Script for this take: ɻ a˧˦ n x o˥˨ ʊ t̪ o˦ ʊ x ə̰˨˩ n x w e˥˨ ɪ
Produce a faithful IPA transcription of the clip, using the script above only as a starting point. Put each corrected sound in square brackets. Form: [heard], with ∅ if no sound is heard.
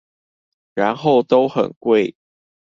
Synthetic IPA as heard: ɻ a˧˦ n x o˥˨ ʊ t̪ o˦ ʊ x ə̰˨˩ n [k] w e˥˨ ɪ